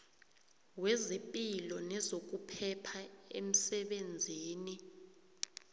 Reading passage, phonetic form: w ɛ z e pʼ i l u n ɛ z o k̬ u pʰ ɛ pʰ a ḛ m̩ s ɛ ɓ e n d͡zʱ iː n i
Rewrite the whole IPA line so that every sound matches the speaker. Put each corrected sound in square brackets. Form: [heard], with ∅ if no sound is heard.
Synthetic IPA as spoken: w ɛ z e pʼ i l [ɔ] n ɛ z o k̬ u pʰ ɛ pʰ a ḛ m̩ s ɛ ɓ e n d͡zʱ iː n i